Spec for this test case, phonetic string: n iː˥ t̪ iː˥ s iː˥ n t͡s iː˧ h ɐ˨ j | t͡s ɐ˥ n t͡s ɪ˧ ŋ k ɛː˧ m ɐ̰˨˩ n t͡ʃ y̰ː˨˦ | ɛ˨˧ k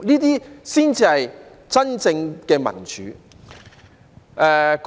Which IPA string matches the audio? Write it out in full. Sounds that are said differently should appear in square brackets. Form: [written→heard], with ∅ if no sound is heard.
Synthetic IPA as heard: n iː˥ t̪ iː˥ s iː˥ n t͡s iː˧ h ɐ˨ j | t͡s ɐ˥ n t͡s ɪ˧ ŋ k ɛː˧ m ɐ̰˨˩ n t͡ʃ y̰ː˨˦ | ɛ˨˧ k